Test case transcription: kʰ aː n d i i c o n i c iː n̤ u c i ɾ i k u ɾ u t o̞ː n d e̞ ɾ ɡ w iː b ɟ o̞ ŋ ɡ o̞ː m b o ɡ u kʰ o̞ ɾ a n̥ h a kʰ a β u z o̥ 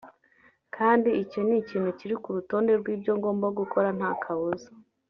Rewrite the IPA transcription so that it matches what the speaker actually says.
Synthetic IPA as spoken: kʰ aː n d i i c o n i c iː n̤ u c i ɾ i k u ɾ u t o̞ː n d e̞ ɾ ɡ w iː b ɟ o̞ ŋ ɡ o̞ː m b o ɡ u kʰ o̞ ɾ a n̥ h a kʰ a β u z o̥